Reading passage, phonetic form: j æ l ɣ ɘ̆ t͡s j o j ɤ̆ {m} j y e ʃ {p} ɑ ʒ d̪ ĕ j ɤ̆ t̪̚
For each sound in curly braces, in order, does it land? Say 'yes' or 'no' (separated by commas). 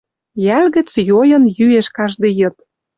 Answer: no, no